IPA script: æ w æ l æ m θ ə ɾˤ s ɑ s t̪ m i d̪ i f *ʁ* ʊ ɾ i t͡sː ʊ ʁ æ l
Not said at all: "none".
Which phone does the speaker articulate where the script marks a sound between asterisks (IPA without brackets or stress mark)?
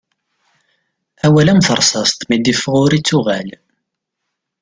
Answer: ʁ